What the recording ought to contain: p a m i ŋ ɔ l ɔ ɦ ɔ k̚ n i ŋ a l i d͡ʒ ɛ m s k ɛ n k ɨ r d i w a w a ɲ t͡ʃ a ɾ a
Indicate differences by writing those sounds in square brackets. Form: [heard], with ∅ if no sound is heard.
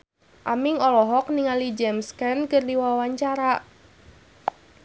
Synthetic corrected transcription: [ʔ] a m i ŋ ɔ l ɔ ɦ ɔ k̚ n i ŋ a l i d͡ʒ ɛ m s k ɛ n k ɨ r d i w a w a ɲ t͡ʃ a ɾ a